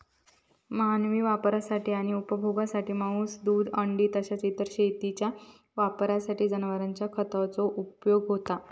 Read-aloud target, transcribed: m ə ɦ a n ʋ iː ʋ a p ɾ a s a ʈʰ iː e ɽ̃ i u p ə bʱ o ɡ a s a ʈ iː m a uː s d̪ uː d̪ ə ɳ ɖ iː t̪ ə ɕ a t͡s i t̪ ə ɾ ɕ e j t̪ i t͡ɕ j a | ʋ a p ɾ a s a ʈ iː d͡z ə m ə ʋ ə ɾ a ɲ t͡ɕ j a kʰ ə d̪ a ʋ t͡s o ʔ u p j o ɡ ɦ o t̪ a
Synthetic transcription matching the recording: m ə ɦ a n ʋ iː ʋ a p ɾ a s a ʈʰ iː a ɽ̃ i u p ə bʱ o ɡ a s a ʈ iː m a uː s d̪ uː d̪ ə ɳ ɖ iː t̪ ə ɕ a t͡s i t̪ ə ɾ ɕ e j t̪ i t͡ɕ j a | ʋ a p ɾ a s a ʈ iː d͡z ə n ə ʋ ə ɾ a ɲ t͡ɕ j a kʰ ə t̪ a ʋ t͡s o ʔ u p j o ɡ ɦ o t̪ a